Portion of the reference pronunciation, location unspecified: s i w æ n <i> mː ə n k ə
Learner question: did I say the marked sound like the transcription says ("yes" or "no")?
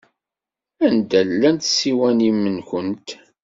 yes